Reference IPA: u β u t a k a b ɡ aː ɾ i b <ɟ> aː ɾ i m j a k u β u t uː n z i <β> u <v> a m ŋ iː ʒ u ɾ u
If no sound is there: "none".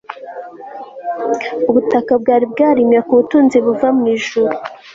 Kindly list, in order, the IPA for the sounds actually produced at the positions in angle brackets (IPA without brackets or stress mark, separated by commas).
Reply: ɡ, β, v